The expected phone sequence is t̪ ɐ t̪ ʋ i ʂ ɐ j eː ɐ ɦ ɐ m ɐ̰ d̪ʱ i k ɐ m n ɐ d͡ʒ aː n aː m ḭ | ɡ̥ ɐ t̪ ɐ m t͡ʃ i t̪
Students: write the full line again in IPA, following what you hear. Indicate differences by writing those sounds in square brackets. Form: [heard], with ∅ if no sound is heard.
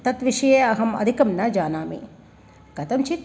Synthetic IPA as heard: t̪ ɐ t̪ ʋ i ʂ ɐ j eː ɐ ɦ ɐ m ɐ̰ d̪ʱ i k ɐ m n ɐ d͡ʒ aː n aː m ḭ | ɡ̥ ɐ t̪ ɐ m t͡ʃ i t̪